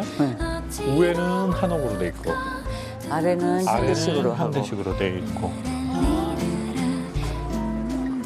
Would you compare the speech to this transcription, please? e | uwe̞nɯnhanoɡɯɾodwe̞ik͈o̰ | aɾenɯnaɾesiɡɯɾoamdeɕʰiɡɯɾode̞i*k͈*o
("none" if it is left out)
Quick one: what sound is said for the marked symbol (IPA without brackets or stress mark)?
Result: k͈